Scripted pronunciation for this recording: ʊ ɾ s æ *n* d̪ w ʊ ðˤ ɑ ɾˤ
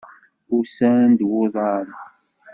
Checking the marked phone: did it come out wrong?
no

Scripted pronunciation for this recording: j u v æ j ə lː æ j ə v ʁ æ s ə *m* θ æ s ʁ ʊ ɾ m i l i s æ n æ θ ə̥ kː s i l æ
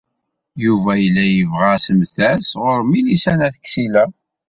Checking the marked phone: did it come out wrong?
no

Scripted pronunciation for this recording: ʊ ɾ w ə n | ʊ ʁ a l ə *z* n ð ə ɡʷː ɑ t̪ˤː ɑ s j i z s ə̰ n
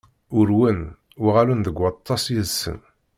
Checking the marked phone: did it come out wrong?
yes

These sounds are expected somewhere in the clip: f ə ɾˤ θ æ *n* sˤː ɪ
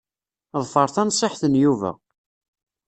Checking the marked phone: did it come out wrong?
no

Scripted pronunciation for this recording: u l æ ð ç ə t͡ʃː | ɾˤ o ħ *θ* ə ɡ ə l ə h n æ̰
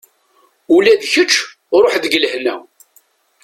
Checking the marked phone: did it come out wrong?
yes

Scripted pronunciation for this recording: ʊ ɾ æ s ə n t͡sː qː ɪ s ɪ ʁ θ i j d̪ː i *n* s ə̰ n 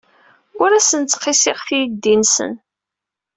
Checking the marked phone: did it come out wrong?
no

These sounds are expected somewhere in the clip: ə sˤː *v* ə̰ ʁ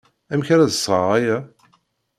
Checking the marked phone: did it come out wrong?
yes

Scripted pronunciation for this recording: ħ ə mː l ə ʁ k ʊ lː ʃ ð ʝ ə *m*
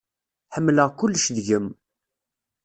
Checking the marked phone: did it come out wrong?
no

